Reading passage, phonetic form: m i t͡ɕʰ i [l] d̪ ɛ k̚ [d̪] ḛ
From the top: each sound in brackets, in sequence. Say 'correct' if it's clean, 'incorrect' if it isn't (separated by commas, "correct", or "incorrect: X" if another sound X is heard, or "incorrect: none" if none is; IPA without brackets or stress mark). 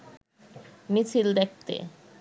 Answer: correct, incorrect: t̪